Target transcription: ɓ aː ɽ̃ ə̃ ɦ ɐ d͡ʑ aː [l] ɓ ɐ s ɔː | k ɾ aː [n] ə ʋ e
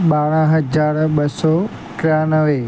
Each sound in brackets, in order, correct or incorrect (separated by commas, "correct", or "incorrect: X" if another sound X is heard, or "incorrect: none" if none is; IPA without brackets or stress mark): incorrect: ɾ, correct